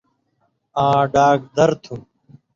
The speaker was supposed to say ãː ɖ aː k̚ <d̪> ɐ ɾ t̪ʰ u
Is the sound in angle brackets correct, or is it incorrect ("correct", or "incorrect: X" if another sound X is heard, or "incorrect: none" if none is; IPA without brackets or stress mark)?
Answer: correct